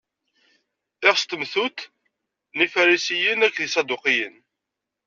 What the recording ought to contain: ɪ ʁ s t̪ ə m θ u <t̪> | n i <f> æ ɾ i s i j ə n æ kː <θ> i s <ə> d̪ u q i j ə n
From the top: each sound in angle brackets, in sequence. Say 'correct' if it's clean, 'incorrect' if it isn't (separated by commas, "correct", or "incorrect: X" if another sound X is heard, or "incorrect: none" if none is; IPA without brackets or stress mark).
correct, correct, incorrect: ð, incorrect: ɑ